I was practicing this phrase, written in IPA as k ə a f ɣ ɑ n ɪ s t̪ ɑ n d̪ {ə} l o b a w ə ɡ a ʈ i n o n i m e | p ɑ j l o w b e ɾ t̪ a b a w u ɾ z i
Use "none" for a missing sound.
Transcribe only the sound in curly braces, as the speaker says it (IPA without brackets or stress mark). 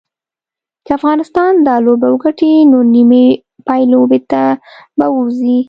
ɑ